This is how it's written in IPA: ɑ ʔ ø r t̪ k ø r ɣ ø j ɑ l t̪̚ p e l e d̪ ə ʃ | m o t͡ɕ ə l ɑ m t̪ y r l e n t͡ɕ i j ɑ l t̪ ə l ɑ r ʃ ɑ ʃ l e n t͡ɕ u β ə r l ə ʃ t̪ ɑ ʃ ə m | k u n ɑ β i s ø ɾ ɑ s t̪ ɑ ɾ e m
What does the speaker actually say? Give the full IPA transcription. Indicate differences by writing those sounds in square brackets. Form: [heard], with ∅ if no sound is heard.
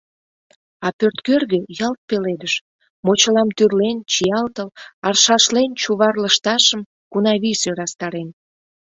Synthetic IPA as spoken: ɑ [p] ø r t̪ k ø r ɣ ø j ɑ l t̪̚ p e l e d̪ ə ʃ | m o t͡ɕ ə l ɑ m t̪ y r l e n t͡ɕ i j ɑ l t̪ ə l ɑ r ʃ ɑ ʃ l e n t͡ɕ u β [ɑ] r l ə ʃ t̪ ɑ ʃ ə m | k u n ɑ β i s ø ɾ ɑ s t̪ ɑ ɾ e [n]